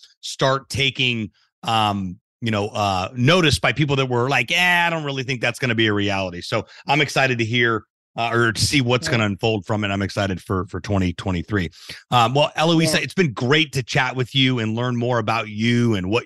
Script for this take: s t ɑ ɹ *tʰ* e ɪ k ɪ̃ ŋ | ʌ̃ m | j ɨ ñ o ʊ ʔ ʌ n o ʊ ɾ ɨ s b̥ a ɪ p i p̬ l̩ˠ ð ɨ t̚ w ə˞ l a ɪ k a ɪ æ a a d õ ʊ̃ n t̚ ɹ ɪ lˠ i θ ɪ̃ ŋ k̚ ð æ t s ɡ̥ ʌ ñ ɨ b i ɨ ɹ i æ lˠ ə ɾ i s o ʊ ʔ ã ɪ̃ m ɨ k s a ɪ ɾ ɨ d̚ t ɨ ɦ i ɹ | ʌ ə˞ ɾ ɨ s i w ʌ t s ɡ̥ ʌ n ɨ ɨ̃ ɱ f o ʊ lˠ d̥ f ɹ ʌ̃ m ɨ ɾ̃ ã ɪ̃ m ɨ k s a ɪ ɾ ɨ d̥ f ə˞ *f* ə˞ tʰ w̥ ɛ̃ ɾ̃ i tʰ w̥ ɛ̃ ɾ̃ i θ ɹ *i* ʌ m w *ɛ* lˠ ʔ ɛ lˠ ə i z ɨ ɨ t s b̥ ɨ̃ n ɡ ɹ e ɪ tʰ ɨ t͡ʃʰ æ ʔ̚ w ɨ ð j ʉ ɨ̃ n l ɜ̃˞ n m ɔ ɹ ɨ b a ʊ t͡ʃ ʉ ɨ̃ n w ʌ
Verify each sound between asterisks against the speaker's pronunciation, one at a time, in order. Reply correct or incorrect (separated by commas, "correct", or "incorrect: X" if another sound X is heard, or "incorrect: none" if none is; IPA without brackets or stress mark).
correct, correct, correct, correct